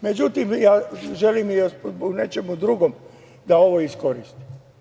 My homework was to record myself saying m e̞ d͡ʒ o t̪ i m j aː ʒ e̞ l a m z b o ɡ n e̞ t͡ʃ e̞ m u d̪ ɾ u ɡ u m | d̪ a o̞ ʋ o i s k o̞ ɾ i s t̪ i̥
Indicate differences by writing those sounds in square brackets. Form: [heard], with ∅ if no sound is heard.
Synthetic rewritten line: m e̞ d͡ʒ [u] t̪ i m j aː ʒ e̞ l [i] m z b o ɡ n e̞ t͡ʃ e̞ m u d̪ ɾ u ɡ [o] m | d̪ a o̞ ʋ o i s k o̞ ɾ i s t̪ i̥